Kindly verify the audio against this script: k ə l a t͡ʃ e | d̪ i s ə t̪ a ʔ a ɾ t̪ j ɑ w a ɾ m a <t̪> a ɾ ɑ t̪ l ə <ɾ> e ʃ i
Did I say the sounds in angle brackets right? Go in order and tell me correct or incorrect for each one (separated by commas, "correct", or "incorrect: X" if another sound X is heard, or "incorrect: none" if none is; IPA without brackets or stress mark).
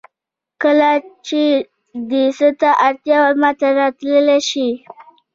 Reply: correct, incorrect: l